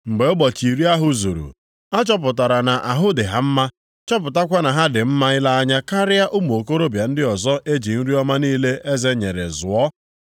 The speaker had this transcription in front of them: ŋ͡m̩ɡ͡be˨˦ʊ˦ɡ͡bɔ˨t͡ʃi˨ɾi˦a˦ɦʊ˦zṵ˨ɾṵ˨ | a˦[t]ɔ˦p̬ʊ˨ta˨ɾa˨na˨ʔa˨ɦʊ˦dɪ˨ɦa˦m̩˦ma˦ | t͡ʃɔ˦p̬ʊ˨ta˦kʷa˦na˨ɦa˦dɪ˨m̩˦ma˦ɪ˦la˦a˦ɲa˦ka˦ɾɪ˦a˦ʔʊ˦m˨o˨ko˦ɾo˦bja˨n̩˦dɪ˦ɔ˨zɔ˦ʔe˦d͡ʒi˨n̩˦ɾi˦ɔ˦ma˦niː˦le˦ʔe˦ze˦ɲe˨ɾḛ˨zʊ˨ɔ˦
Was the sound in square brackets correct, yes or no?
no